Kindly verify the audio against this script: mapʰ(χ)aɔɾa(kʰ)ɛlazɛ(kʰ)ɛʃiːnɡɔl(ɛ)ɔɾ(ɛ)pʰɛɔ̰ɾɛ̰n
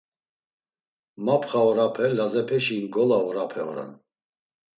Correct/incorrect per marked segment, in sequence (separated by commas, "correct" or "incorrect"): correct, incorrect, incorrect, incorrect, incorrect